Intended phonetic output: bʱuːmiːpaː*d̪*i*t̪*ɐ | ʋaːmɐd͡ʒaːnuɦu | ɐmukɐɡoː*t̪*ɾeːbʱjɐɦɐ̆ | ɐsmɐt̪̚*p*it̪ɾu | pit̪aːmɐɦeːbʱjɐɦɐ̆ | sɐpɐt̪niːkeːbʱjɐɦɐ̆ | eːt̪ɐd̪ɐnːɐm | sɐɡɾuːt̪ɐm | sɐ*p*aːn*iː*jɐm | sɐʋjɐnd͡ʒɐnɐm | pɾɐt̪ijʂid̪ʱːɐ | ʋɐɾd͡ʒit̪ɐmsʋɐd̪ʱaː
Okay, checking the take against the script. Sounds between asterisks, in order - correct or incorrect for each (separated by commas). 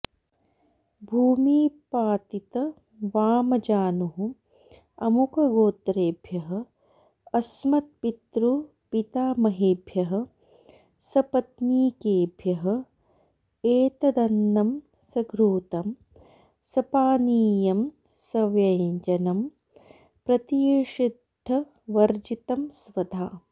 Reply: incorrect, correct, correct, correct, correct, correct